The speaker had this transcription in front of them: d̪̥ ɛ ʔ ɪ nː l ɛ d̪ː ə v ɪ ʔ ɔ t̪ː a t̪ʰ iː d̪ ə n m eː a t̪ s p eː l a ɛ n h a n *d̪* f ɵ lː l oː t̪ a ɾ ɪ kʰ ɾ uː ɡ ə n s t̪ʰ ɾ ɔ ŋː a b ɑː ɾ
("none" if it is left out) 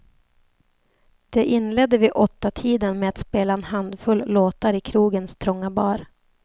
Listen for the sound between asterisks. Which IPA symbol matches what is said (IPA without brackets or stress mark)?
d̪